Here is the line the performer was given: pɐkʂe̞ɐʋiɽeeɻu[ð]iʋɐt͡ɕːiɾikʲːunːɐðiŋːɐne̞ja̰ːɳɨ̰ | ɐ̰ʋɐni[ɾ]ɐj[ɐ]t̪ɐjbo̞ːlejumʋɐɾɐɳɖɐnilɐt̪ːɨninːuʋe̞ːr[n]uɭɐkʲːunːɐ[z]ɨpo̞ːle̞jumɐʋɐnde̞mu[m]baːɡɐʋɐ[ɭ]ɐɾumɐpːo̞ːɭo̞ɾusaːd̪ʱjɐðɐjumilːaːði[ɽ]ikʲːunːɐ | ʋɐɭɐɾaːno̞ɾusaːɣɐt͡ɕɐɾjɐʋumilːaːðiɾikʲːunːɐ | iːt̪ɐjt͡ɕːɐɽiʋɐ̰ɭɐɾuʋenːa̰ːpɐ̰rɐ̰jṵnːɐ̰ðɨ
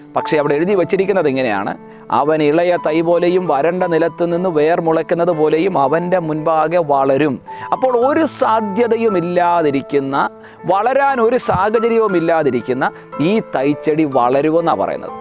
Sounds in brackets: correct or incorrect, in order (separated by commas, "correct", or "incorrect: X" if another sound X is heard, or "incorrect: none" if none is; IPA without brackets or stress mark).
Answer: correct, incorrect: ɭ, correct, incorrect: m, incorrect: ð, incorrect: n, correct, incorrect: ɾ